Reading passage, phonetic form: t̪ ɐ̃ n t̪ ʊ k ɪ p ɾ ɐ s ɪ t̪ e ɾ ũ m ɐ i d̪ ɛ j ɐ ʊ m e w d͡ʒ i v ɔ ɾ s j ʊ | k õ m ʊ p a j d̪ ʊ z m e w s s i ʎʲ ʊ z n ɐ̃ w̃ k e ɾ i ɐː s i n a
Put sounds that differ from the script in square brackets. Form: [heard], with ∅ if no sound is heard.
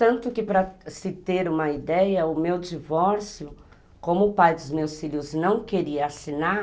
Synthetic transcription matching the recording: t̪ ɐ̃ n t̪ ʊ k ɪ p ɾ ɐ s ɪ t̪ e ɾ ũ m ɐ i d̪ ɛ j ɐ ʊ m e w d͡ʒ i v ɔ ɾ s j ʊ | k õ m ʊ p a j d̪ ʊ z m e w s [f] i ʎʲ ʊ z n ɐ̃ w̃ k e ɾ i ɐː s i n a